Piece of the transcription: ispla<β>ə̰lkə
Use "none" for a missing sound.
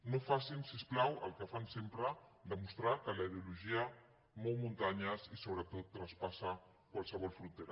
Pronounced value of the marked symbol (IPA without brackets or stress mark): w